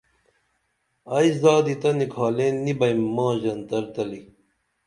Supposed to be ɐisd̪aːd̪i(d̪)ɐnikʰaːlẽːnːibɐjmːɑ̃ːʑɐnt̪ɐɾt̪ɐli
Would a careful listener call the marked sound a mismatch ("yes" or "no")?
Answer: yes